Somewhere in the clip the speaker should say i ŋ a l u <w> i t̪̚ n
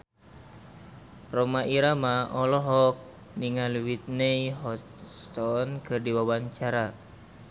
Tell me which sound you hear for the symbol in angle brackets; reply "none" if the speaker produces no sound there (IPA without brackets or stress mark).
w